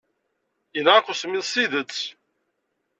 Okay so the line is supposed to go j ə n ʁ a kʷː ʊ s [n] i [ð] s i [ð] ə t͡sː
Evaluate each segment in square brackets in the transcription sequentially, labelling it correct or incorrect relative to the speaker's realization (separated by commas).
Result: incorrect, correct, correct